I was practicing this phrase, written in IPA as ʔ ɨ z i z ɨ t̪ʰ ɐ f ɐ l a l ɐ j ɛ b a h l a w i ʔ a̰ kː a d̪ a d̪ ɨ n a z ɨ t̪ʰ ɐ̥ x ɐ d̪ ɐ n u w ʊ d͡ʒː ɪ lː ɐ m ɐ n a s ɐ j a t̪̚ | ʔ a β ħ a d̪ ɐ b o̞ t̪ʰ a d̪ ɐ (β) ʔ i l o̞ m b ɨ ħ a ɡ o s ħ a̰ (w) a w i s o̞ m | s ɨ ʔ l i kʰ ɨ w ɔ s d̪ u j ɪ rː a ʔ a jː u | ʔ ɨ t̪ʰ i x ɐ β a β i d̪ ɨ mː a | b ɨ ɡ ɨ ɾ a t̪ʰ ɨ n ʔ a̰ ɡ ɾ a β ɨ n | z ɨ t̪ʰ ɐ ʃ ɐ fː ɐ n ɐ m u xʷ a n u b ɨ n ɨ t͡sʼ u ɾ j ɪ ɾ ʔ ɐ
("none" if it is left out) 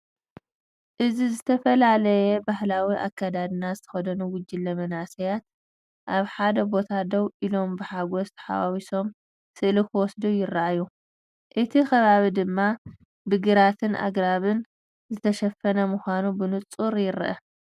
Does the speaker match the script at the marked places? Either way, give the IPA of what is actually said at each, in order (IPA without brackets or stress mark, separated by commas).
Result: w, w